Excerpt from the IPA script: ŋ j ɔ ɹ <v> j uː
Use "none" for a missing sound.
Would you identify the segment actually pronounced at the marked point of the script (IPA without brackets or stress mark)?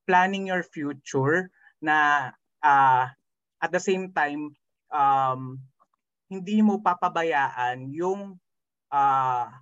f